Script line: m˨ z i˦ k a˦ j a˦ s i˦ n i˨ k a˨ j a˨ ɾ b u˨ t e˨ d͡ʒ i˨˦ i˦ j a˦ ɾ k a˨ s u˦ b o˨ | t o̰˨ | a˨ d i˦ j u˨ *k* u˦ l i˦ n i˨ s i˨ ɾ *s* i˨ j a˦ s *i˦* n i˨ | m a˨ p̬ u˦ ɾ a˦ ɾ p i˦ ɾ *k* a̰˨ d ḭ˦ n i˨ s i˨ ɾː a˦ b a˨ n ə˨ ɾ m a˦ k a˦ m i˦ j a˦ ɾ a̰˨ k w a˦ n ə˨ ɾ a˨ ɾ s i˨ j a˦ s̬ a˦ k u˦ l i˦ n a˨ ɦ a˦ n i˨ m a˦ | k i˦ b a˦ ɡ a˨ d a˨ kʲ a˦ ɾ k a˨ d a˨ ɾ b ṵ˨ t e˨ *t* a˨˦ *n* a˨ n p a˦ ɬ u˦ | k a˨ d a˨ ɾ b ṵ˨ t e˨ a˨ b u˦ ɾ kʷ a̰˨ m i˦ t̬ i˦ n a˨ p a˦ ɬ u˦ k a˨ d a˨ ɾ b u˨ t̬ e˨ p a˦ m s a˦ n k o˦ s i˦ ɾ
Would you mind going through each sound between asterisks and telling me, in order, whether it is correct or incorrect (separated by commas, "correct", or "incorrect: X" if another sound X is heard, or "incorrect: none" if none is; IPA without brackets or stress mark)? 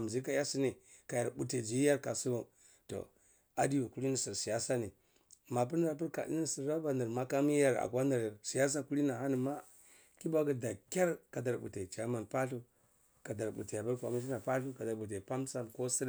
correct, correct, incorrect: a˦, correct, incorrect: t͡ʃ, incorrect: m